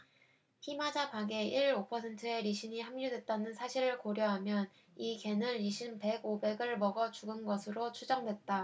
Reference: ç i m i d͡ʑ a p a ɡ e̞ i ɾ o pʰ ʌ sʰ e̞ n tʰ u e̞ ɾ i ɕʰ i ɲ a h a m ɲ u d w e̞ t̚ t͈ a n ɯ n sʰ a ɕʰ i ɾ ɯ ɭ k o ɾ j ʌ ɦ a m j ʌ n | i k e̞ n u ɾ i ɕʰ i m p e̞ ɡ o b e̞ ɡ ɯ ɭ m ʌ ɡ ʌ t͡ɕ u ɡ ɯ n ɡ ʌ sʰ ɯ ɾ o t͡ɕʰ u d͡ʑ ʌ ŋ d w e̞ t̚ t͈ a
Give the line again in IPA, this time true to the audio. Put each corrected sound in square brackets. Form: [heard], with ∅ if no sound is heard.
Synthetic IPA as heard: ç i m [a] d͡ʑ a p a ɡ e̞ i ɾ o pʰ ʌ sʰ e̞ n tʰ [ɯ] e̞ ɾ i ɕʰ i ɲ [i] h a m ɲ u d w e̞ t̚ t͈ a n ɯ n sʰ a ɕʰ i ɾ ɯ ɭ k o ɾ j ʌ ɦ a m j ʌ n | i k e̞ n [ɯ] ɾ i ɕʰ i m p e̞ ɡ o b e̞ ɡ ɯ ɭ m ʌ ɡ ʌ t͡ɕ u ɡ ɯ n ɡ ʌ sʰ ɯ ɾ o t͡ɕʰ u d͡ʑ ʌ ŋ d w e̞ t̚ t͈ a